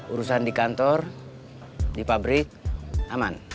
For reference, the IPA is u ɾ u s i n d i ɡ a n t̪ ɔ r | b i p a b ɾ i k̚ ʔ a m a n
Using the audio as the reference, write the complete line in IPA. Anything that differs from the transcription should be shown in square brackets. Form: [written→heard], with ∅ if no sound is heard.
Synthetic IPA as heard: u ɾ u s [i→a] n d i [ɡ→k] a n t̪ ɔ r | [b→d] i p a b ɾ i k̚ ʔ a m a n